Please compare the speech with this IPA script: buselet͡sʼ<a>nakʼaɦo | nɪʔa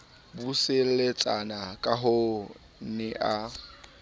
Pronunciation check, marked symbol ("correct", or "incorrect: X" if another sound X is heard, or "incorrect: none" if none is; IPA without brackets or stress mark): correct